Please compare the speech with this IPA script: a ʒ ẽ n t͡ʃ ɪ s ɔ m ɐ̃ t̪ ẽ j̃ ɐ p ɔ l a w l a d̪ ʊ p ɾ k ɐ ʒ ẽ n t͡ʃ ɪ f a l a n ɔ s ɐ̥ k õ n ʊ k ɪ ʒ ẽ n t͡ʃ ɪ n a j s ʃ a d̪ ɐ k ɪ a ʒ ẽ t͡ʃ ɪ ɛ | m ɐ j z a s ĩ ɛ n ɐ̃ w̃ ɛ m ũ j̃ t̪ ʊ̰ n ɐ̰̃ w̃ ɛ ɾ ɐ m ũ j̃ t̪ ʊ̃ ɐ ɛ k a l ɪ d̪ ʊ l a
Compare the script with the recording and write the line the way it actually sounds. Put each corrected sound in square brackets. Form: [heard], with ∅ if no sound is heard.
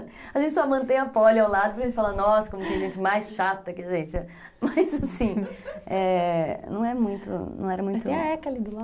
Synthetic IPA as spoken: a ʒ ẽ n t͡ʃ ɪ s ɔ m ɐ̃ t̪ ẽ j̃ ɐ p ɔ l a w l a d̪ ʊ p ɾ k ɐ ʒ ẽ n t͡ʃ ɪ f a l a n ɔ s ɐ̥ k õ [m] ʊ k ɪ ʒ ẽ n t͡ʃ ɪ [m] a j s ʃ a [t̪] ɐ k ɪ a ʒ ẽ t͡ʃ ɪ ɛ | m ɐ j z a s ĩ ɛ n ɐ̃ w̃ ɛ m ũ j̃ t̪ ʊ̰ n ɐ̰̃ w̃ ɛ ɾ ɐ m ũ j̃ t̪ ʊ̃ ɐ ɛ k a l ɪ d̪ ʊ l a